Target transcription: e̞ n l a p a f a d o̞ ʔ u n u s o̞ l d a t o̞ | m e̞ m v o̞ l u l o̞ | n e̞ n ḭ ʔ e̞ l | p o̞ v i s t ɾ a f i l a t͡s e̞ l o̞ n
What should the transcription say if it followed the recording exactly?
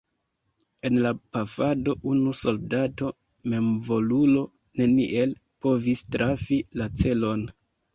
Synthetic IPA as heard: e̞ n l a p a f a d o̞ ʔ u n u s o̞ l d a t o̞ | m e̞ m v o̞ l u l o̞ | n e̞ n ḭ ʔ e̞ l | p o̞ v i s t ɾ a f i l a t͡s e̞ l o̞ n

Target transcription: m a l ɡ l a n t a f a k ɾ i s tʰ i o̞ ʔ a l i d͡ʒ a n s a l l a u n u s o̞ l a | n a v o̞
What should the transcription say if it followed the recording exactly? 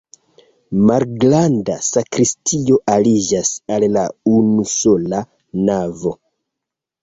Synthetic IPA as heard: m a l ɡ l a n d a s a k ɾ i s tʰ i o̞ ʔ a l i d͡ʒ a s a l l a u n u s o̞ l a | n a v o̞

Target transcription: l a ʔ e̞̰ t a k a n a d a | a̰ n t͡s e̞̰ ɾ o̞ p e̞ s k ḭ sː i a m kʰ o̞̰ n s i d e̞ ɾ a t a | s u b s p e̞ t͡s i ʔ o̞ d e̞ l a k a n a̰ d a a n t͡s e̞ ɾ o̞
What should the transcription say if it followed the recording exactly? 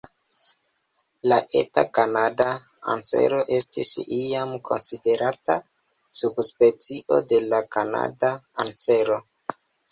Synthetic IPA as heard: l a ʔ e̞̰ t a k a n a d a | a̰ n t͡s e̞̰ ɾ o̞ ʔ e̞ s t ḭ s i a m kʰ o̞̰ n s i d e̞ ɾ a t a | s u b s p e̞ t͡s i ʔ o̞ d e̞ l a k a n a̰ d a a n t͡s e̞ ɾ o̞

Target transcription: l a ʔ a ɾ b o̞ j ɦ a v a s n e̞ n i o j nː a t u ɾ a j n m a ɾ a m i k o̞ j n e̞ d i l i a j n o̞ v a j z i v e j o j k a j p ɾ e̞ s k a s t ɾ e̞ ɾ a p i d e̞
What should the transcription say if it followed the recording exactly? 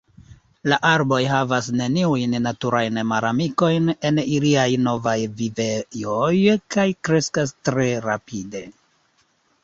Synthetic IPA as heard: l a ʔ a ɾ b o̞ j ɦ a v a s n e̞ n i u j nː a t u ɾ a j n m a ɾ a m i k o̞ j n e̞ n i l i a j n o̞ v a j v i v e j o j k a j k ɾ e̞ s k a s t ɾ e̞ ɾ a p i d e̞

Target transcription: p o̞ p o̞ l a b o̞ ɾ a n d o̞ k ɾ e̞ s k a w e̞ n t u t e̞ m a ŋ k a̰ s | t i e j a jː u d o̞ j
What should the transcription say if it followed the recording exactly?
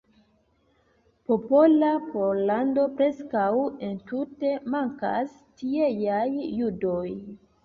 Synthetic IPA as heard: p o̞ p o̞ l a p o̞ l a n d o̞ p ɾ e̞ s k a w e̞ n t u t e̞ m a ŋ k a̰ s | t i e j a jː u d o̞ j

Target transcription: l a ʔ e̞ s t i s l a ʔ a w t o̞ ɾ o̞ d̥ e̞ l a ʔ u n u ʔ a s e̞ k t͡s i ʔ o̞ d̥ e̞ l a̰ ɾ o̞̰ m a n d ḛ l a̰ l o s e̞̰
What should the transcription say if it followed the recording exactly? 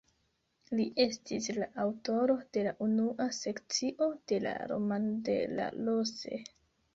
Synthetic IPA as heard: l i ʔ e̞ s t i s l a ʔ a w t o̞ ɾ o̞ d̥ e̞ l a ʔ u n u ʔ a s e̞ k t͡s i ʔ o̞ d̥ e̞ l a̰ ɾ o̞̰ m a n d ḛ l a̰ l o s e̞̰

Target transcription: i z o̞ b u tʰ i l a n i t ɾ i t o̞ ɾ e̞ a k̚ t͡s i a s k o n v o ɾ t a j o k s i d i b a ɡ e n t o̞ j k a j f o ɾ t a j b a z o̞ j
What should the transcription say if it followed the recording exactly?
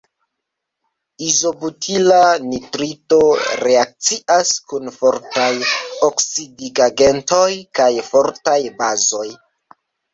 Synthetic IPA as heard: i z o̞ b u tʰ i l a n i t ɾ i t o̞ ɾ e̞ a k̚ t͡s i a s k u n f o ɾ t a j o k s i d i ɡ a ɡ e n t o̞ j k a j f o ɾ t a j b a z o̞ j

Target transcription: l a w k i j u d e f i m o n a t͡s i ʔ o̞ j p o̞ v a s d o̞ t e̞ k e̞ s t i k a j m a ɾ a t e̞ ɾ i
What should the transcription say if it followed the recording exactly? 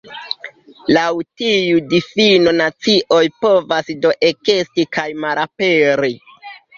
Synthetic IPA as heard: l a w t i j u d i f i n o n a t͡s i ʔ o̞ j p o̞ v a s d o̞ ʔ e̞ k e̞ s t i k a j m a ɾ a p e̞ ɾ i

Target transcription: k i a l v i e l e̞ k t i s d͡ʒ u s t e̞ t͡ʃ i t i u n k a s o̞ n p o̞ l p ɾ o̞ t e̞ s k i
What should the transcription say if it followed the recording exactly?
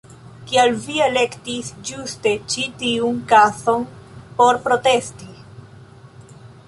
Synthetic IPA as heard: k i a l v i e l e̞ k t i s d͡ʒ u s t e̞ t͡ʃ i t i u n k a s o̞ n p o̞ ɾ p ɾ o̞ t e̞ s t i

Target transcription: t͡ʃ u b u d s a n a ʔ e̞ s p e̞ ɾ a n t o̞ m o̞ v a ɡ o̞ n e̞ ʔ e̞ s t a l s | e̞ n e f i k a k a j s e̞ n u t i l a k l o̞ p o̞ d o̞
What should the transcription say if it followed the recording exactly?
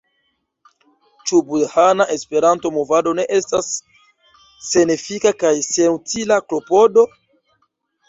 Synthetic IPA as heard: t͡ʃ u b u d h a n a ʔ e̞ s p e̞ ɾ a n t o̞ m o̞ v a d o̞ n e̞ ʔ e̞ s t a s | e̞ n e f i k a k a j s e̞ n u t i l a k l o̞ p o̞ d o̞

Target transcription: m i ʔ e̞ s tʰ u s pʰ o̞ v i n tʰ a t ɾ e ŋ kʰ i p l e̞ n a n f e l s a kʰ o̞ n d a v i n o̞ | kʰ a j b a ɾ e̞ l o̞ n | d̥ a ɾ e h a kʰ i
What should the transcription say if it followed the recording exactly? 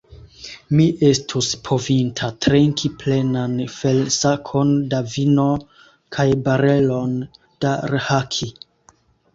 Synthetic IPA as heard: m i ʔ e̞ s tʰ u s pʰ o̞ v i n tʰ a t ɾ e ŋ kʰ i p l e̞ n a n f e l s a kʰ o̞ n d a v i n o̞ | kʰ a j b a ɾ e̞ l o̞ n | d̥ a ɾ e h a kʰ i

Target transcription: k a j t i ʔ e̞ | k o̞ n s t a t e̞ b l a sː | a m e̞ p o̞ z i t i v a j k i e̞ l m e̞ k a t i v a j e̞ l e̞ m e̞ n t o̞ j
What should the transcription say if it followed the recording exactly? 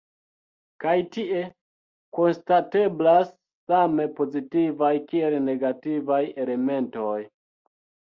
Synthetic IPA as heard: k a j t i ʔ e̞ | k o̞ n s t a t e̞ b l a sː | a m e̞ p o̞ z i t i v a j k i e̞ l n e̞ ɡ a t i v a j e̞ l e̞ m e̞ n t o̞ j

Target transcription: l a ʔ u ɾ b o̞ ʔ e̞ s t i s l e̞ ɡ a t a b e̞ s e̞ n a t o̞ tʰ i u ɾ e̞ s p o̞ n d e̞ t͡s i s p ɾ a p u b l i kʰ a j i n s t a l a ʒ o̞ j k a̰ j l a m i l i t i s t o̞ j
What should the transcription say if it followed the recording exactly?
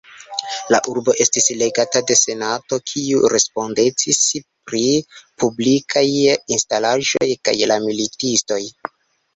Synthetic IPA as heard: l a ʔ u ɾ b o̞ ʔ e̞ s t i s l e̞ ɡ a t a d e̞ s e̞ n a t o̞ kʰ i u ɾ e̞ s p o̞ n d e̞ t͡s i s p ɾ i p u b l i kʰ a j i n s t a l a ʒ o̞ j k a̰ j l a m i l i t i s t o̞ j

